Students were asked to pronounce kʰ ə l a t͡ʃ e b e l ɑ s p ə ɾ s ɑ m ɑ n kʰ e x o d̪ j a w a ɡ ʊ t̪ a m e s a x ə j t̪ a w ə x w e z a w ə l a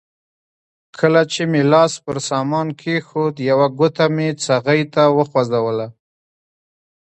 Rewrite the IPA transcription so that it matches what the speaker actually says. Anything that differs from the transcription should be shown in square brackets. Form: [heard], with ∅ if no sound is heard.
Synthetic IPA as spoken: kʰ ə l a t͡ʃ e [m] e l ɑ s p ə ɾ s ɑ m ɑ n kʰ e x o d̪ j a w a ɡ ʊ t̪ a m e [t͡s] a [ɣ] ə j t̪ a w ə x w [a] z a w ə l a